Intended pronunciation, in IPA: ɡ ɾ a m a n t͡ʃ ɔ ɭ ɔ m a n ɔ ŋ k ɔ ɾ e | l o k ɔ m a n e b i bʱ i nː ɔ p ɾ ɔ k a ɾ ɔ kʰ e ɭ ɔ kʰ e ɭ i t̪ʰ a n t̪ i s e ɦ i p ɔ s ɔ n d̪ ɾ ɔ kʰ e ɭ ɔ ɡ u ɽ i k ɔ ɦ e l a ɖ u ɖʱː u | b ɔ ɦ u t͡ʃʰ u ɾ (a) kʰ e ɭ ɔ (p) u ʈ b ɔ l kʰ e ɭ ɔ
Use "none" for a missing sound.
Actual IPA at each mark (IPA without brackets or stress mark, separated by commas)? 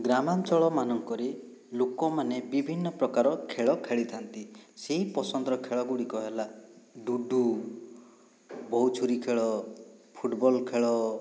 i, pʰ